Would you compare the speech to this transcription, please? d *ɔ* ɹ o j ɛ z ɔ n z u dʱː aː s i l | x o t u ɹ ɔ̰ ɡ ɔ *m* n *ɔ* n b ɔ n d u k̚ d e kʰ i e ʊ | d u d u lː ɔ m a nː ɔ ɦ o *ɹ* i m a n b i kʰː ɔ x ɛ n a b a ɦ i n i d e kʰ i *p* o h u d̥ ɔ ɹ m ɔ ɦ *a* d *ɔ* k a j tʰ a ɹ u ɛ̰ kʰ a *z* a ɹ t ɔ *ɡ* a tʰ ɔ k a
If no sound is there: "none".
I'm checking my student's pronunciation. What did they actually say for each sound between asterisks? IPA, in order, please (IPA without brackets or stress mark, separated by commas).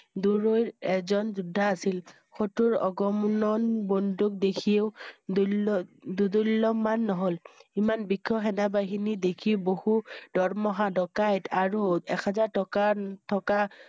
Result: u, m, ɔ, l, b, a, ɔ, z, k